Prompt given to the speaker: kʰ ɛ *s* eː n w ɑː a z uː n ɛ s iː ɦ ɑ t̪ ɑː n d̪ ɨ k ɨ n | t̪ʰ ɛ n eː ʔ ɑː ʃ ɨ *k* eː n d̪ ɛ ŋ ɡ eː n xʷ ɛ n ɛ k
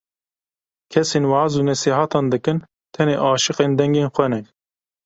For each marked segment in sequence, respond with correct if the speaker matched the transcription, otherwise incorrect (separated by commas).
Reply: correct, incorrect